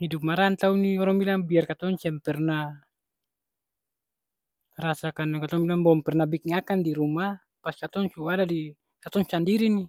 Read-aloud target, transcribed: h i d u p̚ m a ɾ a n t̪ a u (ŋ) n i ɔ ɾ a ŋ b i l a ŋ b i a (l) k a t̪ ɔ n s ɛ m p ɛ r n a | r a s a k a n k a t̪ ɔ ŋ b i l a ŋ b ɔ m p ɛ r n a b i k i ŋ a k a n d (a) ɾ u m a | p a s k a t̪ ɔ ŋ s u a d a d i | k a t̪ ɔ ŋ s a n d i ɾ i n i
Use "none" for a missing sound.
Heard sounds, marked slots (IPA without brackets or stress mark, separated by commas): none, r, i